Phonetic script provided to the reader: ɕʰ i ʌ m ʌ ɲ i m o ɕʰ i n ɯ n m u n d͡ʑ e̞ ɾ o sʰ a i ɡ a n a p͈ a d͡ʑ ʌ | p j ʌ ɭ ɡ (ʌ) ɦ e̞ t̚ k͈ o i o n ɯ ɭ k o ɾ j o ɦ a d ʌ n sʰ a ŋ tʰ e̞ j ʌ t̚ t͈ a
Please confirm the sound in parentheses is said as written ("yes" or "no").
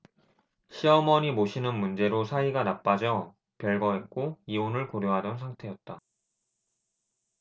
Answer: yes